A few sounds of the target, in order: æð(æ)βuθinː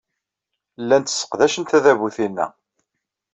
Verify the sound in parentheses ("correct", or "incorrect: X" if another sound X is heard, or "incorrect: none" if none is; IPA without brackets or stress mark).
correct